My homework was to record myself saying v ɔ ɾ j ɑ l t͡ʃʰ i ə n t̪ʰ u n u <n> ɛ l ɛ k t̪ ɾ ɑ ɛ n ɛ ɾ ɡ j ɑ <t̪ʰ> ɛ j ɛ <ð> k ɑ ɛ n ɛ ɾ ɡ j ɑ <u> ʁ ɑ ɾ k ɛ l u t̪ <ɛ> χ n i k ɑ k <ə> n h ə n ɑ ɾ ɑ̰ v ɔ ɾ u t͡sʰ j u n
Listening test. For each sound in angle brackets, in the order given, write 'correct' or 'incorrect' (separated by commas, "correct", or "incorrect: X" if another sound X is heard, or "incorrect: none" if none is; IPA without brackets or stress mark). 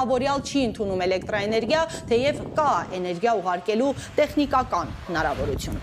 incorrect: m, correct, incorrect: v, correct, correct, incorrect: ɑ